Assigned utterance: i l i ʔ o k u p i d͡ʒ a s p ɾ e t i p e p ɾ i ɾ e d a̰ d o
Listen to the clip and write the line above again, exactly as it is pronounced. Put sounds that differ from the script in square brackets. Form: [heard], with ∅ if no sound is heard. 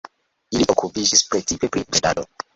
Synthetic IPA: i l i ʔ o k u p i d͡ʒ [i] s p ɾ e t i p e p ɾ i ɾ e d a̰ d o